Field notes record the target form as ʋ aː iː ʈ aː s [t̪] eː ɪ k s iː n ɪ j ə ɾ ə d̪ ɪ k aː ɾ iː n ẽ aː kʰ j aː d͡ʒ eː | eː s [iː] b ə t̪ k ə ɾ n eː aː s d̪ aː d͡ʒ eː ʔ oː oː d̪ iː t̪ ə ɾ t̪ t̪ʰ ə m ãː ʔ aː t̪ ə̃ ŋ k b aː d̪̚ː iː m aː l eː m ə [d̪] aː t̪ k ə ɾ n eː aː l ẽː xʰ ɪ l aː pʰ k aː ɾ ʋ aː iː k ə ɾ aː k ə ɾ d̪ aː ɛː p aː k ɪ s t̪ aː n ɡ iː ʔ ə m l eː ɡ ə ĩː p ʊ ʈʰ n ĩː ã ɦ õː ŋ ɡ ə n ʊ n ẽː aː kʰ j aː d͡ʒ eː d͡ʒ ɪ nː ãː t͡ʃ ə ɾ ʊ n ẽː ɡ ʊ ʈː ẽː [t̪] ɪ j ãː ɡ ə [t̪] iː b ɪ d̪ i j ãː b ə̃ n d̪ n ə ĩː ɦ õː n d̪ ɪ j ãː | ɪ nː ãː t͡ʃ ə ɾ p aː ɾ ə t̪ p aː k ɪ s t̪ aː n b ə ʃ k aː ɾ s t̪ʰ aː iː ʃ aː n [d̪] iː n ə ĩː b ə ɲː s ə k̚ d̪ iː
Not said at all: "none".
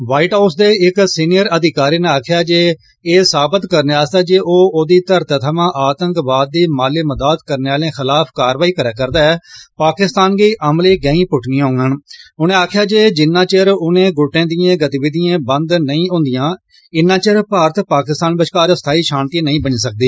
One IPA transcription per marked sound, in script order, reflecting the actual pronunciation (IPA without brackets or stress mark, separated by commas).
d̪, aː, d̪, d̪, t̪, t̪